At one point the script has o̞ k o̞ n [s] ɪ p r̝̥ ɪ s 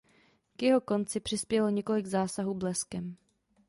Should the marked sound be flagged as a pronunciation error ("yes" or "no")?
yes